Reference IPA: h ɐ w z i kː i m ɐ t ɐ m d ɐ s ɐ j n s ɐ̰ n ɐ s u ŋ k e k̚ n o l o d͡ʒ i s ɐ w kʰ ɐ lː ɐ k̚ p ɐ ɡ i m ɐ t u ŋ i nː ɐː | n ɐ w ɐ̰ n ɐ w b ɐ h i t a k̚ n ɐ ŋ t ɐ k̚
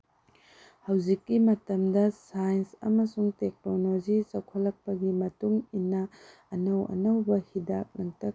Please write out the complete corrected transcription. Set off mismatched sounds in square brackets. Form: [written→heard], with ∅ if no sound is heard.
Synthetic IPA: h ɐ w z i kː i m ɐ t ɐ m d ɐ s [ɐ→a] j n s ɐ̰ [n→m] ɐ s u ŋ [k→t] e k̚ n o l o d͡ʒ i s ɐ w kʰ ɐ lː ɐ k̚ p ɐ ɡ i m ɐ t u ŋ i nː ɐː | n ɐ w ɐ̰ n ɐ w b ɐ h i [t→d] a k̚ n ɐ ŋ t ɐ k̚